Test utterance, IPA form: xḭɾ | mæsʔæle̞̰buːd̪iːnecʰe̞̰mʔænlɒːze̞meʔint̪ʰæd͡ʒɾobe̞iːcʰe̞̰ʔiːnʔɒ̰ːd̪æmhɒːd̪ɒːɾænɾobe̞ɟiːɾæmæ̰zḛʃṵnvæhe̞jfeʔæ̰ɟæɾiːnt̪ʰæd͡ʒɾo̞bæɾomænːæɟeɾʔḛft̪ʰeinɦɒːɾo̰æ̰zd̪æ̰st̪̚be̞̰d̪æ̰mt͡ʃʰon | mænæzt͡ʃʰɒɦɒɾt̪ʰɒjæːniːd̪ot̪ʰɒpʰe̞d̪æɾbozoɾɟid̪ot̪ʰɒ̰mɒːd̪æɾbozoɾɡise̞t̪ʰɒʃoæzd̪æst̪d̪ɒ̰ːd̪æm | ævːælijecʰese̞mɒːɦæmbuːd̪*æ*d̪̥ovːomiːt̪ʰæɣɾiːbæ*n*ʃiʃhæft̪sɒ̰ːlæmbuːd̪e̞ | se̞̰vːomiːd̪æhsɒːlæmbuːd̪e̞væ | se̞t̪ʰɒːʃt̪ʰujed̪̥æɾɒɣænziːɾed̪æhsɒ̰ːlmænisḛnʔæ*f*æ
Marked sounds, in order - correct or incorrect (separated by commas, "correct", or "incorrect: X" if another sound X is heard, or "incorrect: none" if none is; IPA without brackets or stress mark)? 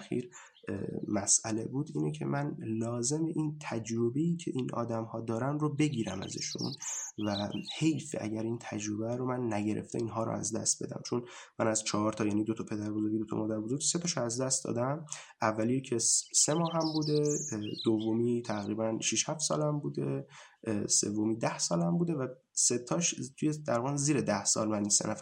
incorrect: e, correct, correct